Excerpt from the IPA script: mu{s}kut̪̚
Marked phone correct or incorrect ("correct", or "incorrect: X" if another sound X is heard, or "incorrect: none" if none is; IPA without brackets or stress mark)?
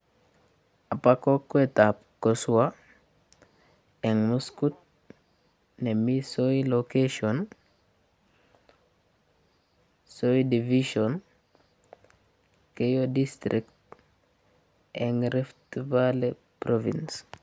correct